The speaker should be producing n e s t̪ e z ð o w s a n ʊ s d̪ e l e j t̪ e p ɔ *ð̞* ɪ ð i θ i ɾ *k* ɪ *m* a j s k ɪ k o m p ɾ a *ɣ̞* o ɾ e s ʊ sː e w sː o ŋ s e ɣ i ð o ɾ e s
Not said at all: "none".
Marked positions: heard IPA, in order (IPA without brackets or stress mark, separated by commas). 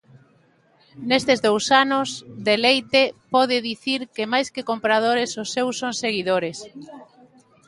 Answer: ð̞, k, m, ð̞